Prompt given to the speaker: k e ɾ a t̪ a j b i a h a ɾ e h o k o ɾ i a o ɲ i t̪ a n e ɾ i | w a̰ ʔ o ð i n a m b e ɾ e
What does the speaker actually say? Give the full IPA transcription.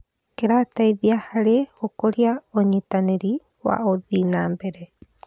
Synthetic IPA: k e ɾ a t̪ a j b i a h a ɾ e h o k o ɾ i a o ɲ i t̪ a n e ɾ i | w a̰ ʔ o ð i n a m b e ɾ e